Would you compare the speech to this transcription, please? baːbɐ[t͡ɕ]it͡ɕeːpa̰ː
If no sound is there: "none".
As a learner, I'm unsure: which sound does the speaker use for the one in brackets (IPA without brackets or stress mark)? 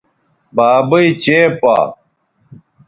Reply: none